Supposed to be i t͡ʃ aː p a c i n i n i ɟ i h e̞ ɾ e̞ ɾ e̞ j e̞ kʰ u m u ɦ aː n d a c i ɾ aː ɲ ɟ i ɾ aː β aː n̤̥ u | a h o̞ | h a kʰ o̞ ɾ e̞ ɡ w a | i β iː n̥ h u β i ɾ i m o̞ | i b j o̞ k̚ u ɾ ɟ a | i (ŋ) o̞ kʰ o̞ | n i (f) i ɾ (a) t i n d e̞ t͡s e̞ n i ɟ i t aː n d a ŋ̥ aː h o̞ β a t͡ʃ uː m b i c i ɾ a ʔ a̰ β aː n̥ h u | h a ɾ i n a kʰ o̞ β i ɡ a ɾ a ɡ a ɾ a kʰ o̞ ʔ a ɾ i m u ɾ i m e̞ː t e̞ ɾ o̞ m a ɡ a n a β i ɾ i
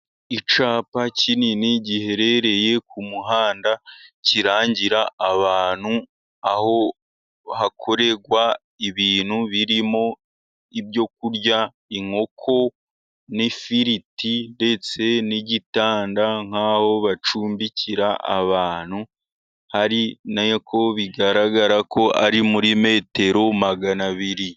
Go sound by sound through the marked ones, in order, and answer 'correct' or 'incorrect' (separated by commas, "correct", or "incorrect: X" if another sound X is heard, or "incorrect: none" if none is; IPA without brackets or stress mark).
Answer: correct, correct, incorrect: i